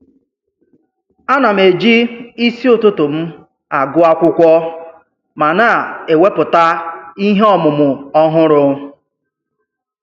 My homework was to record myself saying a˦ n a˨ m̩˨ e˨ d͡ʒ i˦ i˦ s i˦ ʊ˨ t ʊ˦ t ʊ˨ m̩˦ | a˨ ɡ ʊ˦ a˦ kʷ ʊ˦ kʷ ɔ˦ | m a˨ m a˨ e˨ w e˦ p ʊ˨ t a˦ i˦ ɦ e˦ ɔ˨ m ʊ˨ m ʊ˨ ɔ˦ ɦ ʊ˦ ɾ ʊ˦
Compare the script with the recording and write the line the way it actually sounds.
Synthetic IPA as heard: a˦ n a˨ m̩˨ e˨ d͡ʒ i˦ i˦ s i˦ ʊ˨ t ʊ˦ t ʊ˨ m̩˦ | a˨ ɡ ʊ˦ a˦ kʷ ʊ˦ kʷ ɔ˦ | m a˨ n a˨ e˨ w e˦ p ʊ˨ t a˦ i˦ ɦ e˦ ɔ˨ m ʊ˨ m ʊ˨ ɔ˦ ɦ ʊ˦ ɾ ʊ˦